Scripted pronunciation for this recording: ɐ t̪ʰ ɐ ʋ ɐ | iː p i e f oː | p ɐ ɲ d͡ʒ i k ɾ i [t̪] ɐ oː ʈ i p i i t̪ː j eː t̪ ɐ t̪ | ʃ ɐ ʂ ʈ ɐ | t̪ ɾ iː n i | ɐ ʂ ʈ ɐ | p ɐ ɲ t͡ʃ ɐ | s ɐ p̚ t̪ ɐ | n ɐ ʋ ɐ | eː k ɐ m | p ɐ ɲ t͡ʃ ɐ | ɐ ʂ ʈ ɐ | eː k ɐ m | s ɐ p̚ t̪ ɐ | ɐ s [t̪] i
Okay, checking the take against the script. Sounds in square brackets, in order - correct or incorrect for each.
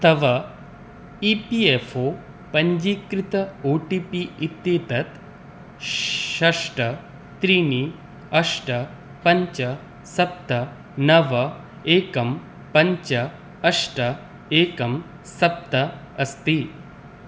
correct, correct

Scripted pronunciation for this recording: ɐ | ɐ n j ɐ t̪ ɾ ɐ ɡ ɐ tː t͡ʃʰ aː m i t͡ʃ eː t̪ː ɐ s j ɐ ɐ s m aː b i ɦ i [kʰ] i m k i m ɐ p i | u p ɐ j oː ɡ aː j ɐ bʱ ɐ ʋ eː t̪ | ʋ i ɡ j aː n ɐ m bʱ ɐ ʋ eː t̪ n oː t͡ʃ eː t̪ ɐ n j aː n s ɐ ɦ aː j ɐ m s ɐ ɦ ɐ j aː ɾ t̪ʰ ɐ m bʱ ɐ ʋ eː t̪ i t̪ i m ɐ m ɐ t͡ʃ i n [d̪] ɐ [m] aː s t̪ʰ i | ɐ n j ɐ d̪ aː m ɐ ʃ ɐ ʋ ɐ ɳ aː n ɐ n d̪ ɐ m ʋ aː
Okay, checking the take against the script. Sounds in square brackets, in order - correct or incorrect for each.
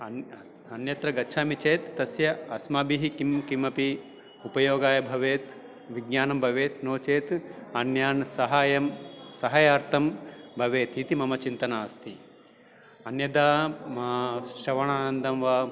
incorrect: k, incorrect: t̪, incorrect: n

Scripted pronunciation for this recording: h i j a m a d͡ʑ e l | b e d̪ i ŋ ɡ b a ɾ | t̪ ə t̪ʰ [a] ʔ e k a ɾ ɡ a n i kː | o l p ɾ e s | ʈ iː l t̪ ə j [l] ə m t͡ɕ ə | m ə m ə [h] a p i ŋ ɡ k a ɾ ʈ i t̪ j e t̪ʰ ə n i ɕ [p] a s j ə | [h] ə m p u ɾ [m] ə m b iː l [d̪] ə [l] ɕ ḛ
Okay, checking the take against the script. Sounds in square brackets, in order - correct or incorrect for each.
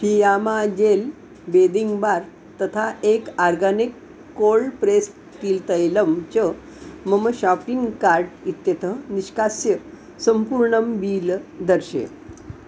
correct, correct, incorrect: ɕ, incorrect: k, incorrect: s, incorrect: ɳ, correct, incorrect: ɾ

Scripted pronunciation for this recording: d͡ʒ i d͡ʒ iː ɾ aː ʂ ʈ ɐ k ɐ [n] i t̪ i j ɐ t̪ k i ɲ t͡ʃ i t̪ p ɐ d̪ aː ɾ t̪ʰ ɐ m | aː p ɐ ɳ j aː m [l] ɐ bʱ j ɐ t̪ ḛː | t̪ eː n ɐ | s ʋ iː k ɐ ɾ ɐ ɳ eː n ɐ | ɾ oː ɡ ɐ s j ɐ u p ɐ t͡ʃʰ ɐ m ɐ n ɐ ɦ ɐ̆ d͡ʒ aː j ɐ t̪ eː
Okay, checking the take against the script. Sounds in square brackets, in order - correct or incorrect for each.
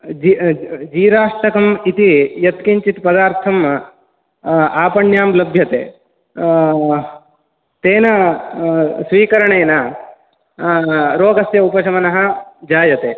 incorrect: m, correct

